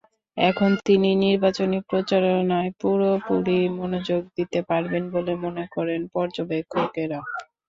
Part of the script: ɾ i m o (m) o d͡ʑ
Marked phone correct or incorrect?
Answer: incorrect